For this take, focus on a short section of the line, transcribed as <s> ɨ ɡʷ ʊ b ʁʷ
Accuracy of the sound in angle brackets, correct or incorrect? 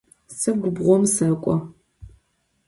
correct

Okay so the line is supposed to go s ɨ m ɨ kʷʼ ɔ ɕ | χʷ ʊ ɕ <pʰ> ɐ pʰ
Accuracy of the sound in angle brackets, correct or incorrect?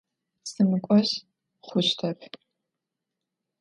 incorrect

